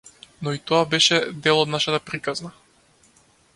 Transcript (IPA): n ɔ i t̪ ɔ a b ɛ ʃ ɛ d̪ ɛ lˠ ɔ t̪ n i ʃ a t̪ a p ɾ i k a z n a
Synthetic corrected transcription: n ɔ i t̪ ɔ a b ɛ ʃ ɛ d̪ ɛ lˠ ɔ d̪ n a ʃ a t̪ a p ɾ i k a z n a